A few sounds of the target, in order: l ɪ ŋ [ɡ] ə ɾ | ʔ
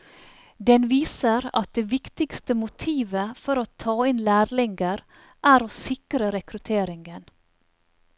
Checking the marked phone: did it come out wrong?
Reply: no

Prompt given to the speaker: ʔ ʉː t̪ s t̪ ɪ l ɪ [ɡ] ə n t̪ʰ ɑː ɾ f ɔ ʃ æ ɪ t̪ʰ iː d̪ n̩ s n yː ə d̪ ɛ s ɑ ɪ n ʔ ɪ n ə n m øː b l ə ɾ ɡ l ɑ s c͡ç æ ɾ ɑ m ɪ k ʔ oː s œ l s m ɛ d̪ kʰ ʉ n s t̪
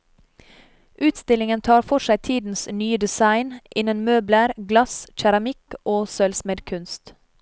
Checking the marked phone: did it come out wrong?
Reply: yes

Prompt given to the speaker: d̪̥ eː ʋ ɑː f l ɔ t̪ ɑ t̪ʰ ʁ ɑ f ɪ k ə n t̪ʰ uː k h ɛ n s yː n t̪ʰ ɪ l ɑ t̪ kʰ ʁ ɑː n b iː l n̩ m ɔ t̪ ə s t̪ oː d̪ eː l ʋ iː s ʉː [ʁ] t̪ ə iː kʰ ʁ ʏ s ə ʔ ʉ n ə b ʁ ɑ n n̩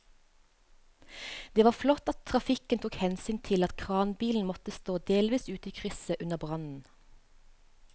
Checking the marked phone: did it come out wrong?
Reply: yes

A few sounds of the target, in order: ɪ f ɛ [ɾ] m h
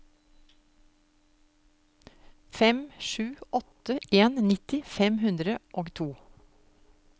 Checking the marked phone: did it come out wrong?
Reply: yes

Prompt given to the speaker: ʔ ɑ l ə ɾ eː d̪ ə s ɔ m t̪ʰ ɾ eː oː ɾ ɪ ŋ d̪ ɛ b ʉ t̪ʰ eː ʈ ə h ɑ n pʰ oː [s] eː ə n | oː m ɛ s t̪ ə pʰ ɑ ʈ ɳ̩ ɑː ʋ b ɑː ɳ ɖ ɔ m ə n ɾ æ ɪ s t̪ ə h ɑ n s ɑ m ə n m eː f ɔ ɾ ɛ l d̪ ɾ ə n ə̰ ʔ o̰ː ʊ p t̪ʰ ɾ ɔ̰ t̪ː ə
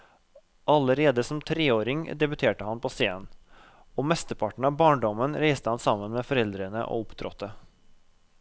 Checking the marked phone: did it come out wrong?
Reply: no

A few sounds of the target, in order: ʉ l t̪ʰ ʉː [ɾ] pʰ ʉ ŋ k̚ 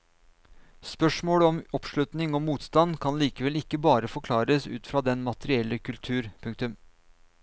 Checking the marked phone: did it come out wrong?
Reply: no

